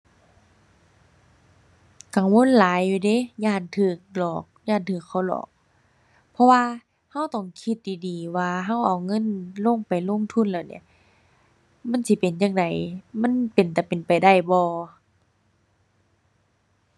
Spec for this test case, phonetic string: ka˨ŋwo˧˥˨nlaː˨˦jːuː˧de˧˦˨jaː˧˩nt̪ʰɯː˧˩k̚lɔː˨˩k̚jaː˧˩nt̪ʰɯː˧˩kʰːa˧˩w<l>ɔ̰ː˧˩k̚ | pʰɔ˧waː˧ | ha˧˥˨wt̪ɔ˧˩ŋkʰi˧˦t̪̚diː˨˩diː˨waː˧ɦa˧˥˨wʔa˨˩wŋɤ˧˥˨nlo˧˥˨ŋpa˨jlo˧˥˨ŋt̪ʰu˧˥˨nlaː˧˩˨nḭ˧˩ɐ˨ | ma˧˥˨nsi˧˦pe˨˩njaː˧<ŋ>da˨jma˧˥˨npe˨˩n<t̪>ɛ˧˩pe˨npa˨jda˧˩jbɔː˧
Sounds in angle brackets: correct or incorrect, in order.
correct, correct, correct

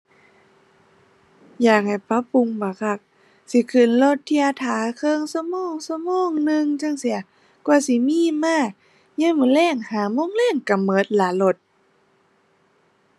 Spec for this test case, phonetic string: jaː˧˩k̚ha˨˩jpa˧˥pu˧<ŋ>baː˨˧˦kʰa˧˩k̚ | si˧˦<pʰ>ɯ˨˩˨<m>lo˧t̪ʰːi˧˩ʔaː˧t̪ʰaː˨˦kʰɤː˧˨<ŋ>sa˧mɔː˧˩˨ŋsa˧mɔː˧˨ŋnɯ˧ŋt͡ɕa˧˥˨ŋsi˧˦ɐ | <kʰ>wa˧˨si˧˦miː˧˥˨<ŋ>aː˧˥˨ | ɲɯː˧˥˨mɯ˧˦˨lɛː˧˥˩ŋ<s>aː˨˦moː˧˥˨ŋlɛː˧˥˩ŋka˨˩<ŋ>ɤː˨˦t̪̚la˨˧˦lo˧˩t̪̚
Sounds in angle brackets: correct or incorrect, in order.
correct, incorrect: kʰ, incorrect: n, correct, incorrect: k, incorrect: m, incorrect: h, incorrect: m

